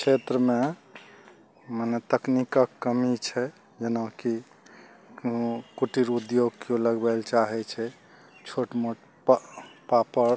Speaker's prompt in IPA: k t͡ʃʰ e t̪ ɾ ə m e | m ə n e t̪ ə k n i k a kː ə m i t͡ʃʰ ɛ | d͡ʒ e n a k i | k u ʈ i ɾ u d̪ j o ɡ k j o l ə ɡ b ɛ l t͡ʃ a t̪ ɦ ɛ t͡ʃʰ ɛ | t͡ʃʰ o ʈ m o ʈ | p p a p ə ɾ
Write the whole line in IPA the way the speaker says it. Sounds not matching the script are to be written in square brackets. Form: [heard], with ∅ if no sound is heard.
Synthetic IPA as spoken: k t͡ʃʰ e t̪ ɾ ə m e | m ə n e t̪ ə k n i k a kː ə m i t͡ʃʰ ɛ | d͡ʒ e n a k i | k u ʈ i ɾ u d̪ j o ɡ k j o l ə ɡ b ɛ l t͡ʃ a [∅] ɦ ɛ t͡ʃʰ ɛ | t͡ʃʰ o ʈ m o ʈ | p p a p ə ɾ